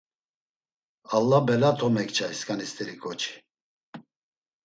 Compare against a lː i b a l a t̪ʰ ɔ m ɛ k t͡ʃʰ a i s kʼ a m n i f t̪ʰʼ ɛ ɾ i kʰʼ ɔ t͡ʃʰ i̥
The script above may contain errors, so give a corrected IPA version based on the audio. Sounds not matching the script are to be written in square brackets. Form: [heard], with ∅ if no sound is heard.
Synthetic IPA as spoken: a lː [a] b [ɛ] l a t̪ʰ ɔ m ɛ k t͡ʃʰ a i s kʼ a [∅] n i [s] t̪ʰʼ ɛ ɾ i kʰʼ ɔ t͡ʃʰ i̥